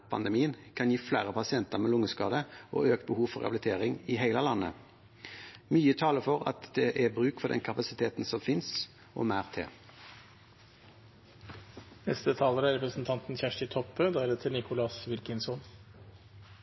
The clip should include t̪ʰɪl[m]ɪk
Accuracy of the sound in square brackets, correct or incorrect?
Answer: incorrect